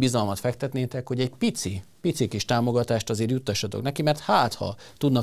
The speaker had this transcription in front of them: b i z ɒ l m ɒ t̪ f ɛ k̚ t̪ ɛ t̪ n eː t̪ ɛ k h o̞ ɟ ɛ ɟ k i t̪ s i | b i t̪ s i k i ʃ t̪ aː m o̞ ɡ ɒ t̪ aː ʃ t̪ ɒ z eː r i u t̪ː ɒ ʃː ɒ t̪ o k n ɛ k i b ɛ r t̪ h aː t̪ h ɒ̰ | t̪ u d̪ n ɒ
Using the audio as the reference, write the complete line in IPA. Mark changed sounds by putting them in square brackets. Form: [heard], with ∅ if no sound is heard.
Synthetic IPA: b i z ɒ l m ɒ t̪ f ɛ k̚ t̪ ɛ t̪ n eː t̪ ɛ k h o̞ ɟ ɛ ɟ [p] i t̪ s i | [p] i t̪ s i k i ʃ t̪ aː m o̞ ɡ ɒ t̪ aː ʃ t̪ ɒ z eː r [j] u t̪ː ɒ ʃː ɒ t̪ o k n ɛ k i [m] ɛ r t̪ h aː t̪ h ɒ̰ | t̪ u d̪ n ɒ